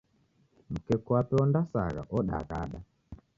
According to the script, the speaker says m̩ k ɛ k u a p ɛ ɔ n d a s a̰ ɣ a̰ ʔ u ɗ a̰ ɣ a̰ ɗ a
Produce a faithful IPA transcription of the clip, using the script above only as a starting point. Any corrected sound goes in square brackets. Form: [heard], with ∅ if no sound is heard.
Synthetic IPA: m̩ k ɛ k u a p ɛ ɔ n d a s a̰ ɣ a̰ ʔ [ɔ] ɗ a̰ ɣ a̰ ɗ a